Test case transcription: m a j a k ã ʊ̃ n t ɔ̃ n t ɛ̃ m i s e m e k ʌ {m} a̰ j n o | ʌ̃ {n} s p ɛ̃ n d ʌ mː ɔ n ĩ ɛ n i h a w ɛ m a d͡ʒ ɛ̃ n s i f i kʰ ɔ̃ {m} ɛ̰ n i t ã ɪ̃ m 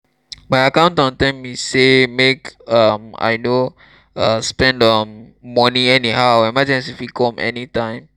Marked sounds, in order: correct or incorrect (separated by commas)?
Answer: correct, incorrect, correct